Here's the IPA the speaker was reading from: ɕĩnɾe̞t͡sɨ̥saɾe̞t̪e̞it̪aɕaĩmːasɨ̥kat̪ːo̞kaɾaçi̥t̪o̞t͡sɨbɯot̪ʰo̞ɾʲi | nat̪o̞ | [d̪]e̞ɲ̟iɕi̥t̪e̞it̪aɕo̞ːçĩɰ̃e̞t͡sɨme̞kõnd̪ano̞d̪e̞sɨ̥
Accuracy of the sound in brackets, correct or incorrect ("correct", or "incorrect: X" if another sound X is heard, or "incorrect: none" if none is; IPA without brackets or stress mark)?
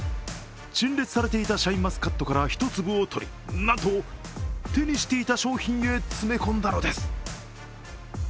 incorrect: t̪